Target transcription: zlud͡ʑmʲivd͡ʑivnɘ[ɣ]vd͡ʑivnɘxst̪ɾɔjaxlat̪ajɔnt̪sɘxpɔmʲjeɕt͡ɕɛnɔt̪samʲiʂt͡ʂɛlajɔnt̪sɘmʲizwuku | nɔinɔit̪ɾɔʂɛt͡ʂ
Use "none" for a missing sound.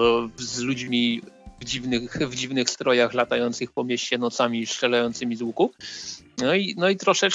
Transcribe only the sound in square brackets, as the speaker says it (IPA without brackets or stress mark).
x